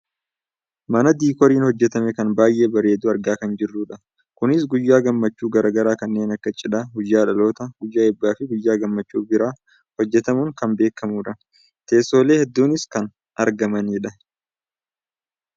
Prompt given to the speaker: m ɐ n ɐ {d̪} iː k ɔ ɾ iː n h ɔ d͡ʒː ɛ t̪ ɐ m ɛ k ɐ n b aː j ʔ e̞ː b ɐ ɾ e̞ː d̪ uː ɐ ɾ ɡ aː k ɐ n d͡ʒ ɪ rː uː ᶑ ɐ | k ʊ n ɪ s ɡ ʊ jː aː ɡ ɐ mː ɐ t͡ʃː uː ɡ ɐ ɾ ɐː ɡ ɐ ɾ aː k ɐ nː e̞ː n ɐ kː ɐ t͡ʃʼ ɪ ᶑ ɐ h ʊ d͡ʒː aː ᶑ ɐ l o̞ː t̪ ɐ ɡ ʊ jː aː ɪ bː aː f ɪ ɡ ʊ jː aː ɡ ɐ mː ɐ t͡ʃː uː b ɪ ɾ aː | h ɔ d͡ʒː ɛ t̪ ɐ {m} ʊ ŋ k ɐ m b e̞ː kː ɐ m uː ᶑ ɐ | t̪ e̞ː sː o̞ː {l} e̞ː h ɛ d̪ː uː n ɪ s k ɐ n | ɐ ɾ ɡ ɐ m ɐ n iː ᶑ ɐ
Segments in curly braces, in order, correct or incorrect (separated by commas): correct, correct, correct